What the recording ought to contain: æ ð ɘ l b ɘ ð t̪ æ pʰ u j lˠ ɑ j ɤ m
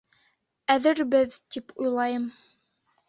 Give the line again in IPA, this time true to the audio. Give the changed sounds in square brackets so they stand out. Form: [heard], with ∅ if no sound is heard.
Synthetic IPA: æ ð ɘ [ɾ] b ɘ ð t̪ [i] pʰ u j lˠ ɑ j ɤ m